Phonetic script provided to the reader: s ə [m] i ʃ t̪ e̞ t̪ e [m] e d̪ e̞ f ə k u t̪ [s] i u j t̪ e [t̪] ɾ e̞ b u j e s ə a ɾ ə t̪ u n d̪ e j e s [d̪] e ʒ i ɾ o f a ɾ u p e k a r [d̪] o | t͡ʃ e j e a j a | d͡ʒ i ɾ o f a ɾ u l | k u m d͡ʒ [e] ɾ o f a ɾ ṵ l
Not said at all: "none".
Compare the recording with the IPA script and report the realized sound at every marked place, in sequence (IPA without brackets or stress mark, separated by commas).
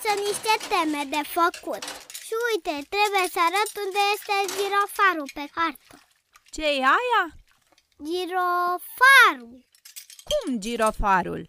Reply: n, m, ʃ, t̪, t̪, t̪, i